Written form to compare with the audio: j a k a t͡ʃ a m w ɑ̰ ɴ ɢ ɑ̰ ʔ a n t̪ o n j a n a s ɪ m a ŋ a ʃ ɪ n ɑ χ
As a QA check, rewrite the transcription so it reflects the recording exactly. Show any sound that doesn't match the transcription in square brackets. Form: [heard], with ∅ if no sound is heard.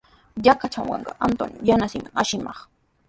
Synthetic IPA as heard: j a k a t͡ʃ a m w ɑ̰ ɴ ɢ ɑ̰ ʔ a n t̪ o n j a n a s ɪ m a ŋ a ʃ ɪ [m] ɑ χ